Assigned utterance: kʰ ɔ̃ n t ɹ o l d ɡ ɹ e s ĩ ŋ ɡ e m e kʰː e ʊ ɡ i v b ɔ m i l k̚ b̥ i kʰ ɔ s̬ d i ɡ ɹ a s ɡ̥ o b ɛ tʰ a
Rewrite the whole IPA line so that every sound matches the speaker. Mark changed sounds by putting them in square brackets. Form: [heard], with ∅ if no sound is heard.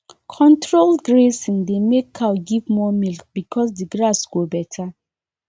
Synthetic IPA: kʰ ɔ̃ n t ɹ o l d ɡ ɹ e s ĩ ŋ [d] e m e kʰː [a] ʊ ɡ i v [m] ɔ m i l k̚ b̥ i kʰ ɔ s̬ d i ɡ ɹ a s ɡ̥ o b ɛ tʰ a